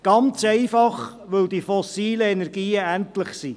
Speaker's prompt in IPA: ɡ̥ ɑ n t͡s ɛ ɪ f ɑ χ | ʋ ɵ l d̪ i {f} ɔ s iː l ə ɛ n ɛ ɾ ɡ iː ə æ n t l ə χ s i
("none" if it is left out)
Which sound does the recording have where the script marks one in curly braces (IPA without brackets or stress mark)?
f